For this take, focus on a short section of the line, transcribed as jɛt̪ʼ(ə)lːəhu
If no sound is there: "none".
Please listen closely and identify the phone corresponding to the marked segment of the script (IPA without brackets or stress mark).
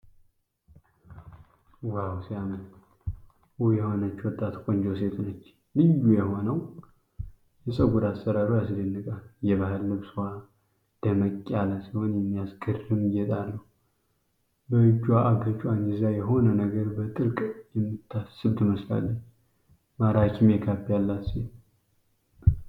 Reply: a